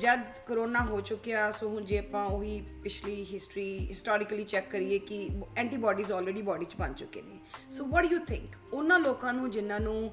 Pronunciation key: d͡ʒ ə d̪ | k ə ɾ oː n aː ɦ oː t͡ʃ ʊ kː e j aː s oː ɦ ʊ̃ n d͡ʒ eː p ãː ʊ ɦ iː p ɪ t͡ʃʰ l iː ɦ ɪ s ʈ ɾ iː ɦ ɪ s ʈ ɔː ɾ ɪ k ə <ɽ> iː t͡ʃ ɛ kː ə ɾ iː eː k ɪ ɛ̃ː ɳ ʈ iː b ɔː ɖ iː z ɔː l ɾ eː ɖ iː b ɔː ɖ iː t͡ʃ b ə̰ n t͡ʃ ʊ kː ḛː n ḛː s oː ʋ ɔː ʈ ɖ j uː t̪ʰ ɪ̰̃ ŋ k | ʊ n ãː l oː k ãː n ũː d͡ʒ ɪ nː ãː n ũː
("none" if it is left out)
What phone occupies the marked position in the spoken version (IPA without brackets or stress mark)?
l